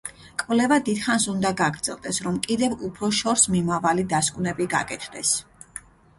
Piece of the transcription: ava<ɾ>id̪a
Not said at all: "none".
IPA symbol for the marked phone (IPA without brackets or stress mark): l